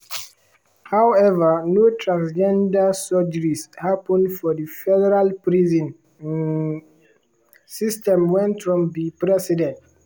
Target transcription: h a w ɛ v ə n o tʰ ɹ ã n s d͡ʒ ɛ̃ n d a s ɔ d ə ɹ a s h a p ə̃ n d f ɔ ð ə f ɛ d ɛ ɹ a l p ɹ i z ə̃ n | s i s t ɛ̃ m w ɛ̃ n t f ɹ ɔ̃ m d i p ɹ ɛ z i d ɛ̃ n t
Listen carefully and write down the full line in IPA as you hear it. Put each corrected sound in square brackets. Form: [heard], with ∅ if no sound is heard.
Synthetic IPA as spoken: h a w ɛ v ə n o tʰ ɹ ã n s d͡ʒ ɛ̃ n d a s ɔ [d͡ʒ] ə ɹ [i] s h a p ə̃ n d f ɔ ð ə f ɛ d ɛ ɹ a l p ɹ i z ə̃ n | s i s t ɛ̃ m w ɛ̃ n t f ɹ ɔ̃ m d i p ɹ ɛ [s] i d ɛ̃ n t